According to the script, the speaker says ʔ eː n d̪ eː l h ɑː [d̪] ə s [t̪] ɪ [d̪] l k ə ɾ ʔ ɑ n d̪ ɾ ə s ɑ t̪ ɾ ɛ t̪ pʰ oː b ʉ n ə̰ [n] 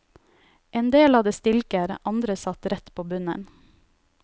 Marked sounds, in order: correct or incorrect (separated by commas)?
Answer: correct, correct, incorrect, correct